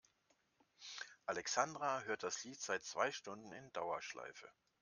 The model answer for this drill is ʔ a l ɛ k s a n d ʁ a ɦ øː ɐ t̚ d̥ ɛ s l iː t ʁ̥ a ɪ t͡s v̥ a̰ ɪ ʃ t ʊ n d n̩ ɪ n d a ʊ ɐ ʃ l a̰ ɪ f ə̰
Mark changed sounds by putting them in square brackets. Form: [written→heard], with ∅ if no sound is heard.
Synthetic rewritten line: ʔ a l ɛ k s a n d ʁ a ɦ øː ɐ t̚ d̥ [ɛ→a] s l iː t [ʁ̥→z̥] a ɪ t͡s v̥ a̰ ɪ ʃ t ʊ n d n̩ ɪ n d a ʊ ɐ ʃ l a̰ ɪ f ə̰